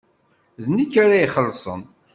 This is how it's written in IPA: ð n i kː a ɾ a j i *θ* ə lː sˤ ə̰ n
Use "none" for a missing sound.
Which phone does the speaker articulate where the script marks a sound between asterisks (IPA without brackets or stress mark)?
χ